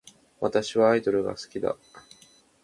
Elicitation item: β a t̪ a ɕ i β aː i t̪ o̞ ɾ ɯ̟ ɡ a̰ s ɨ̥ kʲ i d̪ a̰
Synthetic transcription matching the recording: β a t̪ a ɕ i β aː i d̪ o̞ ɾ ɯ̟ ɡ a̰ s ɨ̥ kʲ i d̪ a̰